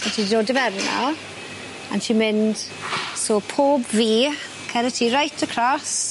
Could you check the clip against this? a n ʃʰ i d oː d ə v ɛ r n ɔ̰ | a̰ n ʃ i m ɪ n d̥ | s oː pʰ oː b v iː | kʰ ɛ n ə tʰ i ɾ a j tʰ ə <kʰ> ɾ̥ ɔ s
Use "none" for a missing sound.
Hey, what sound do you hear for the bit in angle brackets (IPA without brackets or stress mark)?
kʰ